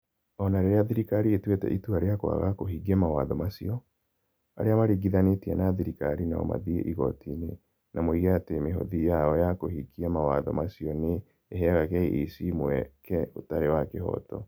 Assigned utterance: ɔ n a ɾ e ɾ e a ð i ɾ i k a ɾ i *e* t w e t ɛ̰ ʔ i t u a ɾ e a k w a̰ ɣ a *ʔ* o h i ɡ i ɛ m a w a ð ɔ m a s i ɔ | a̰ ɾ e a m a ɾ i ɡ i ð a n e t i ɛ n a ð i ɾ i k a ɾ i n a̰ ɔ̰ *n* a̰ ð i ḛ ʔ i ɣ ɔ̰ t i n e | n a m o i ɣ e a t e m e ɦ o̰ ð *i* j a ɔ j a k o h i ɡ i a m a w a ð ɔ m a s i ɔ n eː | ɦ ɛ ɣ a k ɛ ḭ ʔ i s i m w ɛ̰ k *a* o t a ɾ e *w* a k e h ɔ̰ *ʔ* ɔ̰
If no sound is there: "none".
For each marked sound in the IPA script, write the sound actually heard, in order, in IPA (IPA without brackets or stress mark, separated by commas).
e, k, m, i, ɛ, w, t